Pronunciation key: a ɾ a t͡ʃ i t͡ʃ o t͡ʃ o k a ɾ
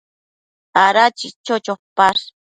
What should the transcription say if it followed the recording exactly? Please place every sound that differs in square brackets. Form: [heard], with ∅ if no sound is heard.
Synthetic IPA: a ɾ a t͡ʃ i t͡ʃ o t͡ʃ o [p] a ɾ